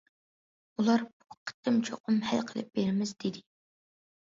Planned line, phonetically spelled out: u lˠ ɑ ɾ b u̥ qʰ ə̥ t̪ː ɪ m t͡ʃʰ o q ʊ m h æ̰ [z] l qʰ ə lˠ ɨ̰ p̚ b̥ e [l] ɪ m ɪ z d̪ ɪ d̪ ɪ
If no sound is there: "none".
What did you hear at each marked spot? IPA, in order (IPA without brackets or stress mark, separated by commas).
none, ɾ